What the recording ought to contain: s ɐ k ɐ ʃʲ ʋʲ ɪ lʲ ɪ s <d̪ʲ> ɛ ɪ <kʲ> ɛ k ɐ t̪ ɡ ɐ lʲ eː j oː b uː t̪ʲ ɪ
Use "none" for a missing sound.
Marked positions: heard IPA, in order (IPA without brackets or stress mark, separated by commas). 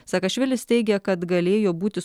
t̪ʲ, ɡʲ